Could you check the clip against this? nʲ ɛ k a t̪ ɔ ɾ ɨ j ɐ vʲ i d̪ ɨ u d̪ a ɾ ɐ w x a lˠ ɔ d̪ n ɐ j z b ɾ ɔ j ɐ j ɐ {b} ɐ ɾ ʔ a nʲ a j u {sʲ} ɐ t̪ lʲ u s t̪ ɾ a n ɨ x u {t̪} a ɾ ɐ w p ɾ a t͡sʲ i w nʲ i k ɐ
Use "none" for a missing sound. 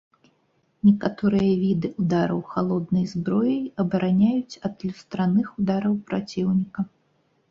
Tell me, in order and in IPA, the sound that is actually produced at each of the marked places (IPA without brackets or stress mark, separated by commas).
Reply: b, t͡sʲ, d̪